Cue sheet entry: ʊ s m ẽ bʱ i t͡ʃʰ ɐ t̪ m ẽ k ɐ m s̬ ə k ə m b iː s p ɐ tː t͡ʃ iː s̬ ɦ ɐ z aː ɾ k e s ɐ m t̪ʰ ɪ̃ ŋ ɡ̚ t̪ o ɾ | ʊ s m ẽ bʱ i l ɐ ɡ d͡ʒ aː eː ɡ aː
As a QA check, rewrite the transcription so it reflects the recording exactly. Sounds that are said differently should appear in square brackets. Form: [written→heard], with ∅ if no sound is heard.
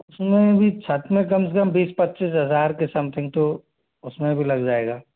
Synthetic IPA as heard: ʊ s m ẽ bʱ i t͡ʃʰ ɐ t̪ m ẽ k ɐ m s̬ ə k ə m b iː s p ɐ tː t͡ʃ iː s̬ ɦ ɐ z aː ɾ k e s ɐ m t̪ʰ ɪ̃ ŋ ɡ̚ t̪ o [ɾ→∅] | ʊ s m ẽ bʱ i l ɐ ɡ d͡ʒ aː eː ɡ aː